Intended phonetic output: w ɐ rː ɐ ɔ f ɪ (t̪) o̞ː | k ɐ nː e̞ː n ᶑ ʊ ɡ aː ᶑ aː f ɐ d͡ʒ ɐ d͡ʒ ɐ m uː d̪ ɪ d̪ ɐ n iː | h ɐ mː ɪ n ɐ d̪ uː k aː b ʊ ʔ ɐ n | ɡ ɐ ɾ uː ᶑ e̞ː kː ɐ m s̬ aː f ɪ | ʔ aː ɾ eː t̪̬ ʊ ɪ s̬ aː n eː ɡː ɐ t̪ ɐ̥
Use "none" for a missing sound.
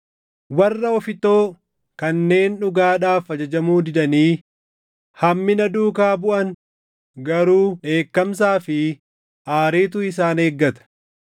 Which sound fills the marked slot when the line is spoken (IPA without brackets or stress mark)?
t̪